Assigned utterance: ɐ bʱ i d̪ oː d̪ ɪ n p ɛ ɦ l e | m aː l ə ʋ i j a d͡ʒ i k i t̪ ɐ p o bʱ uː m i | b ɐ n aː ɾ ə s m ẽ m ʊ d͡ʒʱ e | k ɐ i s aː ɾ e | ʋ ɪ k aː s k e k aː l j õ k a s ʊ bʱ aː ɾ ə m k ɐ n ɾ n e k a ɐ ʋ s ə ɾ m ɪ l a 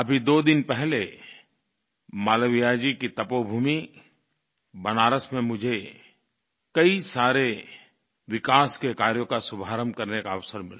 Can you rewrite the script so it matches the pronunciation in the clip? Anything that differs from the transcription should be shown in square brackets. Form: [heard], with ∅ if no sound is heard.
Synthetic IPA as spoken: ɐ bʱ i d̪ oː d̪ ɪ n p ɛ ɦ l e | m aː l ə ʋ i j a d͡ʒ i k i t̪ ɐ p o bʱ uː m i | b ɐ n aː ɾ ə s m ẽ m ʊ d͡ʒʱ e | k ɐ i s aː ɾ e | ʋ ɪ k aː s k e k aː [ɾ] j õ k a s ʊ bʱ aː ɾ ə m k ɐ [∅] ɾ n e k a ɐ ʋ s ə ɾ m ɪ l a